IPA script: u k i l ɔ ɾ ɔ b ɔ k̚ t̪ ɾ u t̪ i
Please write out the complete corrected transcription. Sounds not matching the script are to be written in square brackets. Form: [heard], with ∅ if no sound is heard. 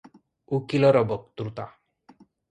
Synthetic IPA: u k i l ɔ ɾ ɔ b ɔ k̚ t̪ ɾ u t̪ [a]

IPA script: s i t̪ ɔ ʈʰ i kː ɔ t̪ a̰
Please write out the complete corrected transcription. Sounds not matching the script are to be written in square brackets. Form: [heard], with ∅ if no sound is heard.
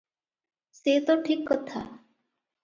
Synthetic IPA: s [e] t̪ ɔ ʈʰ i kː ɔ [t̪ʰ] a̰

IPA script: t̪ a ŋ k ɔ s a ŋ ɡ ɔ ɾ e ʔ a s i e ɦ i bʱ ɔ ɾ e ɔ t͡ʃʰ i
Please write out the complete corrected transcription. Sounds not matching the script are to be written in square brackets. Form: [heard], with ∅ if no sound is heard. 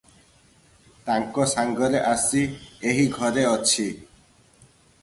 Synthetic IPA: t̪ a ŋ k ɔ s a ŋ ɡ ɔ ɾ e ʔ a s i e ɦ i [ɡʱ] ɔ ɾ e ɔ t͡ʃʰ i

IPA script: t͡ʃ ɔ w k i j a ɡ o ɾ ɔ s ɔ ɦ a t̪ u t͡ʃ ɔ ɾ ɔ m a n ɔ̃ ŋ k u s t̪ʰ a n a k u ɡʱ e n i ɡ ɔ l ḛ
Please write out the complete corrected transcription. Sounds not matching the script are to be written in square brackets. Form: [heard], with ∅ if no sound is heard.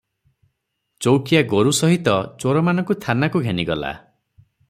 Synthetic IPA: t͡ʃ [o] w k i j a ɡ o ɾ [u] s ɔ ɦ [i] t̪ [ɔ] t͡ʃ [o] ɾ ɔ m a n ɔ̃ ŋ k u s t̪ʰ a n a k u ɡʱ e n i ɡ ɔ l [a̰]

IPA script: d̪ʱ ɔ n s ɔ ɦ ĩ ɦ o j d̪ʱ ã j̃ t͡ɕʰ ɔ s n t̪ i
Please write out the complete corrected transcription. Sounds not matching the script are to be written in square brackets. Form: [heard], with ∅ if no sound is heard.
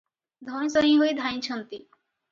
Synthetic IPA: d̪ʱ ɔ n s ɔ ɦ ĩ ɦ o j d̪ʱ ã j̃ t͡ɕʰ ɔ [∅] n t̪ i

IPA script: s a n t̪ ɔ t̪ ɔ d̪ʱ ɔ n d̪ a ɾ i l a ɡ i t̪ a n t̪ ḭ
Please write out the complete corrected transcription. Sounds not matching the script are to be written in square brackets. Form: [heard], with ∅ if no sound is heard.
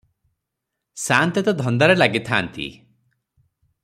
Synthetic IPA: s a n t̪ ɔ t̪ ɔ d̪ʱ ɔ n d̪ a ɾ [e] l a ɡ i [t̪ʰ] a n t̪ ḭ

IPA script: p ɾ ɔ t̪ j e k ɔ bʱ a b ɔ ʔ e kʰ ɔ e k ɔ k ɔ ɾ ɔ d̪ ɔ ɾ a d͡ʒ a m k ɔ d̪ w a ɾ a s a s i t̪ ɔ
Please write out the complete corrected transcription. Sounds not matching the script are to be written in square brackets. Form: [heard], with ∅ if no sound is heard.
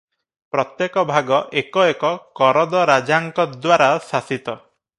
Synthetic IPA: p ɾ ɔ t̪ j e k ɔ bʱ a [ɡ] ɔ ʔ e [k] ɔ e k ɔ k ɔ ɾ ɔ d̪ ɔ ɾ a d͡ʒ a [ŋ] k ɔ d̪ w a ɾ a s a s i t̪ ɔ

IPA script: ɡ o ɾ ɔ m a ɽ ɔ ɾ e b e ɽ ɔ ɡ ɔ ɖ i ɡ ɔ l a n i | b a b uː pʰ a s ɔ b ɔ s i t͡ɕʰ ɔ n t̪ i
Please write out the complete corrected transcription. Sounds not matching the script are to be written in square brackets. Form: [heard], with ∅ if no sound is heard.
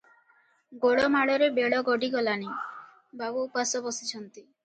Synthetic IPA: ɡ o [ɽ] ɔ m a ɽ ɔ ɾ e b e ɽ ɔ ɡ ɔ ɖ i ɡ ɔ l a n i | b a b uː [p] a s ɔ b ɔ s i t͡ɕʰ ɔ n t̪ i

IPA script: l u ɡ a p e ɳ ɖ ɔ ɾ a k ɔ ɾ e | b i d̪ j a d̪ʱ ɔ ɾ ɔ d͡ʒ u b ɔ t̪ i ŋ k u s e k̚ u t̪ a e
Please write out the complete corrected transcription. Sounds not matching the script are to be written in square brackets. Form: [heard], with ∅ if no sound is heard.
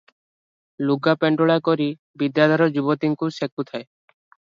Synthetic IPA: l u ɡ a p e ɳ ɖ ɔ [ɭ] a k ɔ ɾ [i] | b i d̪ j a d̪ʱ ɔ ɾ ɔ d͡ʒ u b ɔ t̪ i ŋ k u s e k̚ u [t̪ʰ] a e

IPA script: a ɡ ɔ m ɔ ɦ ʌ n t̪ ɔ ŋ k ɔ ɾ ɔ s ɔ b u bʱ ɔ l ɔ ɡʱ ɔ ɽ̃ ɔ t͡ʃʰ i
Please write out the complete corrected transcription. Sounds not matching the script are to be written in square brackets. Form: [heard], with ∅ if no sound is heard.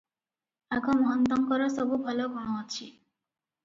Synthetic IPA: a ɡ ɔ m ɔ ɦ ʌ n t̪ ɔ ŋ k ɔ ɾ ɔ s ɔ b u bʱ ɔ l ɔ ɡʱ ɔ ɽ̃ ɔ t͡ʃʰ i

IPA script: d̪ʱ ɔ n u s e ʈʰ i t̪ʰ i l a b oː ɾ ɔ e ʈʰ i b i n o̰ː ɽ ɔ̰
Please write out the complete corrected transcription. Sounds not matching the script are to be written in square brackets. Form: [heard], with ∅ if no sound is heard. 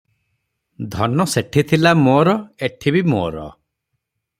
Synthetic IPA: d̪ʱ ɔ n [ɔ] s e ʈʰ i t̪ʰ i l a [m] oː ɾ ɔ e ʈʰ i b i [m] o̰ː [ɾ] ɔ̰

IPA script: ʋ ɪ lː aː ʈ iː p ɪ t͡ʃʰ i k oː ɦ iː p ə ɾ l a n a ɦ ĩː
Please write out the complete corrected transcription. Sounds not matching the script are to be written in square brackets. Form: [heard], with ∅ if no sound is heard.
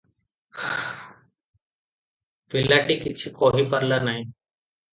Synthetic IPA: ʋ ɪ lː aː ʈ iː [k] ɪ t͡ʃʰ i k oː ɦ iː p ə ɾ l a n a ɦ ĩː

